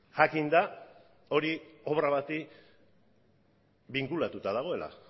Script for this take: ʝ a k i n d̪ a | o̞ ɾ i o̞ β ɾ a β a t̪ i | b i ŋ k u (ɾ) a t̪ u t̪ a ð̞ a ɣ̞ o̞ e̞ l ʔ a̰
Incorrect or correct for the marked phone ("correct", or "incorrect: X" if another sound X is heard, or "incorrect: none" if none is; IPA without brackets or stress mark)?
incorrect: l